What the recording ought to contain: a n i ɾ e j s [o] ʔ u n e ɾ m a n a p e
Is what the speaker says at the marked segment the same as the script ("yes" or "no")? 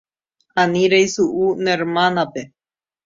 no